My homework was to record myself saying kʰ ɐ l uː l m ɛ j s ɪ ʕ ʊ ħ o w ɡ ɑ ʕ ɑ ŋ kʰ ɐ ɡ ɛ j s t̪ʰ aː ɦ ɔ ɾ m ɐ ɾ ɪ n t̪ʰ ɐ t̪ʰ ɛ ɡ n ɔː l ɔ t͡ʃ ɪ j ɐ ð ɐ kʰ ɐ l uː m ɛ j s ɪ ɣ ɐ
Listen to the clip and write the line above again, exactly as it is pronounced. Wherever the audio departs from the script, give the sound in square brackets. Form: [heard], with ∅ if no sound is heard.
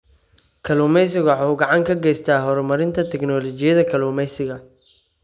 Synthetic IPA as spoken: kʰ ɐ l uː [∅] m ɛ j s ɪ [ɣ] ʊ ħ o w ɡ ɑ ʕ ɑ ŋ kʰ ɐ ɡ ɛ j s t̪ʰ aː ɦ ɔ ɾ m ɐ ɾ ɪ n t̪ʰ ɐ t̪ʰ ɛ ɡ n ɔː l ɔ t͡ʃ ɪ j ɐ ð ɐ kʰ ɐ l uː m ɛ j s ɪ ɣ ɐ